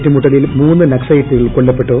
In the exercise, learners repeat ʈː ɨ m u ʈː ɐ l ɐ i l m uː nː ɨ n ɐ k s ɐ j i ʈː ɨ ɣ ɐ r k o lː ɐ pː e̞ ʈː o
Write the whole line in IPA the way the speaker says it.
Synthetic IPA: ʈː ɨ m u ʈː ɐ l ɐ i l m uː nː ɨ n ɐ k s ɐ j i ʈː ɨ ɣ ɐ ɭ k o ɭː ɐ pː e̞ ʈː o